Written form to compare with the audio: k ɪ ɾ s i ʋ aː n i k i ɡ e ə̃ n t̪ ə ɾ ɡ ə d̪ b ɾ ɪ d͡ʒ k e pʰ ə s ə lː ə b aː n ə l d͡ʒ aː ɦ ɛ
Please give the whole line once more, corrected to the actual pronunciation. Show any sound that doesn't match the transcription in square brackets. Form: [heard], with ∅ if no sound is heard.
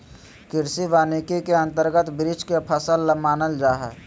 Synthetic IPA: k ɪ ɾ s i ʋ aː n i k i [k] e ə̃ n t̪ ə ɾ ɡ ə [t̪] b ɾ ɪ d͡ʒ k e pʰ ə s ə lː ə [m] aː n ə l d͡ʒ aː ɦ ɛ

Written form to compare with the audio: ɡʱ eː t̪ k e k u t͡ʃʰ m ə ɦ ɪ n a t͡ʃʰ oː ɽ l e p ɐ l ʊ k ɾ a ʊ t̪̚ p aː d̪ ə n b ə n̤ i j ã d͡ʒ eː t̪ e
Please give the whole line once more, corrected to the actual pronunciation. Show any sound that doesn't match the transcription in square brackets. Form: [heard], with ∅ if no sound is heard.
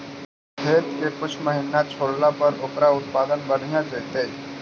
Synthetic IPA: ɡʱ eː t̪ k e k [ʊ] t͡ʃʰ m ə ɦ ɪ n a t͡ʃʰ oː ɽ l [a] p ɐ [ɾ] ʊ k ɾ a ʊ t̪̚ p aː d̪ ə n b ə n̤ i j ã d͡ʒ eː t̪ e

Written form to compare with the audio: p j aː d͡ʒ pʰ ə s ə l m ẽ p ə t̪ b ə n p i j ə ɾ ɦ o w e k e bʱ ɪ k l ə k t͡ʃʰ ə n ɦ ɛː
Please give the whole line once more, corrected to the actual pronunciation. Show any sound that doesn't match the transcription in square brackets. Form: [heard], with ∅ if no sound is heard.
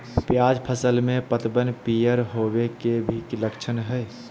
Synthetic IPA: p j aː d͡ʒ pʰ ə s ə l m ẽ p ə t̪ b ə n p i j ə ɾ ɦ o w e k e bʱ [i] k l ə k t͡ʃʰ ə n ɦ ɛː

